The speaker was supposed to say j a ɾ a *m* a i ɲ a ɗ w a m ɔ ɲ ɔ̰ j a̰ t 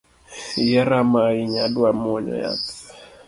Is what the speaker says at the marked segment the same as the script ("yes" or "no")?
yes